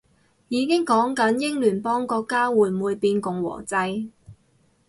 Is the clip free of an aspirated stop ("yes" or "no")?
yes